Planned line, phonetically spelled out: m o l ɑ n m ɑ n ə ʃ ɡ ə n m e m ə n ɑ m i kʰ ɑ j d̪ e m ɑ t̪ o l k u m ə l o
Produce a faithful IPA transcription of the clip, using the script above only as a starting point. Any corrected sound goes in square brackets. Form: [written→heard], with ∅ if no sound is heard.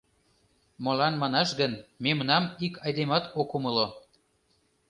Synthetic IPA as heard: m o l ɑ n m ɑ n [ə→ɑ] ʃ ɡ ə n m e m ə n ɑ m i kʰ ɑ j d̪ e m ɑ t̪ o [l→∅] k u m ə l o